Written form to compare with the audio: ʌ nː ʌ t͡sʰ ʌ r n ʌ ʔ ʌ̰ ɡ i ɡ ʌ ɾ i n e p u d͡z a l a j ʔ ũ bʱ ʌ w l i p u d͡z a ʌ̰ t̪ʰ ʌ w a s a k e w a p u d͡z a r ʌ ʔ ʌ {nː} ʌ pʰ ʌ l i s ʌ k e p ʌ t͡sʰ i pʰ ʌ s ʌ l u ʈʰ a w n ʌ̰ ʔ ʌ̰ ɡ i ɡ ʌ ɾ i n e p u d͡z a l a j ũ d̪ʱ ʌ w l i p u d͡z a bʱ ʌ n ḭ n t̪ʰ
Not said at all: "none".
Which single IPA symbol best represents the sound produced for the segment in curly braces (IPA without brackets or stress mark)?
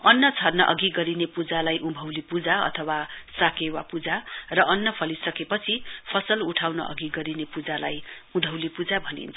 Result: nː